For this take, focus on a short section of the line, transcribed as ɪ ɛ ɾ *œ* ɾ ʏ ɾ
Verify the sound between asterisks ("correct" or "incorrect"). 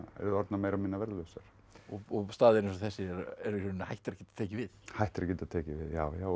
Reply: incorrect